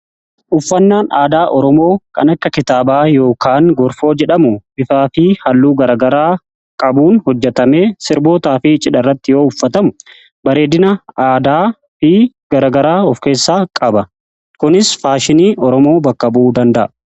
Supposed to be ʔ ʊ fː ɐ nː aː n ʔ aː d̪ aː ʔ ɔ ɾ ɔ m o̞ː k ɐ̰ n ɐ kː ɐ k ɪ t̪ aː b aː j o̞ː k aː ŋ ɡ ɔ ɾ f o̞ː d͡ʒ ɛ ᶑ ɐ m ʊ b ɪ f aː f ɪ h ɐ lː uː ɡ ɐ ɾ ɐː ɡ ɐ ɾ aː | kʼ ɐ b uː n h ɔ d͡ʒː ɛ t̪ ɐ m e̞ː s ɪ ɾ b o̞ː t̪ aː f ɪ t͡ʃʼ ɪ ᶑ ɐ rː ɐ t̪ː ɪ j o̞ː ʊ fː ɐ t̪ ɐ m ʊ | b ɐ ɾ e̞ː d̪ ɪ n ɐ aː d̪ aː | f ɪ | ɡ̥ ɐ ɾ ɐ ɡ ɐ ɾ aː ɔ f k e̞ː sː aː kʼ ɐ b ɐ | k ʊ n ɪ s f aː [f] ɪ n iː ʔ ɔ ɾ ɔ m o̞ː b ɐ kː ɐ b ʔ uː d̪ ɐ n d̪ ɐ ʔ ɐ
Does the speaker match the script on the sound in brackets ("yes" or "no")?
no